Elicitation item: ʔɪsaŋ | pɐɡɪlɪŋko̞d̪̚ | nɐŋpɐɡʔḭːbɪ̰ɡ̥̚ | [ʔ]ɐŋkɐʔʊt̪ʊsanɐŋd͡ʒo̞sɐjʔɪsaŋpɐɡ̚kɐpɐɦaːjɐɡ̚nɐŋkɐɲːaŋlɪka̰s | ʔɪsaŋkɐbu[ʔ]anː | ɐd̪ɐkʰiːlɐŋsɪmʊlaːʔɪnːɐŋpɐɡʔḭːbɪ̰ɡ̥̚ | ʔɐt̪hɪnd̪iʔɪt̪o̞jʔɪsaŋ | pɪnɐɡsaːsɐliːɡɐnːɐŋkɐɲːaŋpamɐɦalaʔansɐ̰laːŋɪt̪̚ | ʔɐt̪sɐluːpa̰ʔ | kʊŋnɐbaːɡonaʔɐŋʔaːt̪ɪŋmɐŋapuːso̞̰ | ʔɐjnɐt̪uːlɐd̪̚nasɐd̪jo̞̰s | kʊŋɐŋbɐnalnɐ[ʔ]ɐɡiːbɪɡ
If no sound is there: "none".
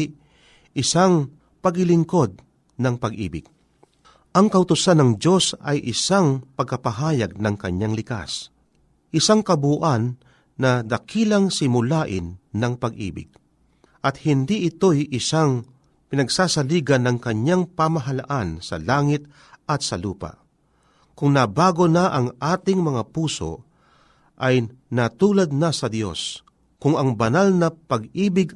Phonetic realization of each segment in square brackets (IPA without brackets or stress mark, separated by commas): ʔ, ʔ, p